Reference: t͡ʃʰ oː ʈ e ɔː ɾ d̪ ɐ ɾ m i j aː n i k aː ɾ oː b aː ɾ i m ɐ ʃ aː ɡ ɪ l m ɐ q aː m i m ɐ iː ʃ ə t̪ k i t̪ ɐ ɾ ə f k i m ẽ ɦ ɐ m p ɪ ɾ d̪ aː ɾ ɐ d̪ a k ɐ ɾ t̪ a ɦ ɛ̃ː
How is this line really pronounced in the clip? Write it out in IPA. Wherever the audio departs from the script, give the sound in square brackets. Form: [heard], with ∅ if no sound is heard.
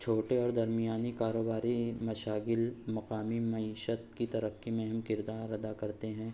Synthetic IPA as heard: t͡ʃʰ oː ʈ e ɔː ɾ d̪ ɐ ɾ m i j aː n i k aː ɾ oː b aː ɾ i m ɐ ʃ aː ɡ ɪ l m ɐ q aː m i m ɐ iː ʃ ə t̪ k i t̪ ɐ ɾ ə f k i m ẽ ɦ ɐ m [k] ɪ ɾ d̪ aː ɾ ɐ d̪ a k ɐ ɾ t̪ [e] ɦ ɛ̃ː